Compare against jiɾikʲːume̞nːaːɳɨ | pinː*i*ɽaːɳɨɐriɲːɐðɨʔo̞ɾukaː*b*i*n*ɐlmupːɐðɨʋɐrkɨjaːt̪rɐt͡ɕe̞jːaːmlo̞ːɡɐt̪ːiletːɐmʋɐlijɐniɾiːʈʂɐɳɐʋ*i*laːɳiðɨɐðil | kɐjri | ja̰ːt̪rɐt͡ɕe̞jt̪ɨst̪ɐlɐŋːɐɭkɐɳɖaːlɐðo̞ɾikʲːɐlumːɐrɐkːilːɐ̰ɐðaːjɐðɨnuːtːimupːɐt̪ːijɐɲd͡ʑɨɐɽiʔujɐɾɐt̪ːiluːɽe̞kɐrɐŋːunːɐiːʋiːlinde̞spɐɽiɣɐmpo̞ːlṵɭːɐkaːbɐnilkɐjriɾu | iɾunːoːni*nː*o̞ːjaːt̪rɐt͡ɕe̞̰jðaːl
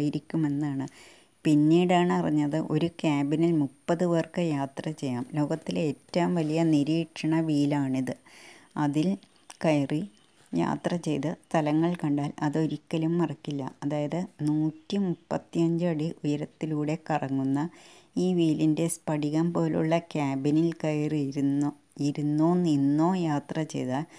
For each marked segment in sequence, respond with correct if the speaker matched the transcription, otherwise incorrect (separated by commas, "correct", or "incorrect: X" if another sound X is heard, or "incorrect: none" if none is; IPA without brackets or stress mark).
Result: incorrect: iː, correct, correct, incorrect: iː, correct